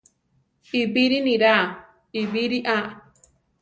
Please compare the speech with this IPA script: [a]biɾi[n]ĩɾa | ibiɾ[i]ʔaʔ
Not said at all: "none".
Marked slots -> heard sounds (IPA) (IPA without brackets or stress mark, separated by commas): i, n, i